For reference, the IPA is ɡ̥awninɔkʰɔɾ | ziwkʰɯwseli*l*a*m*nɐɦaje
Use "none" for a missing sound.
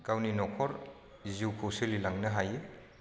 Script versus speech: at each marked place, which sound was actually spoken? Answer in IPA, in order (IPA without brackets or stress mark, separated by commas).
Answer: l, ŋ